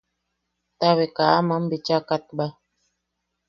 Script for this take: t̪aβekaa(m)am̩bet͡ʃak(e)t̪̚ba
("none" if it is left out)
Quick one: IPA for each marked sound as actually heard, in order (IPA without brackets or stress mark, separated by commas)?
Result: m, a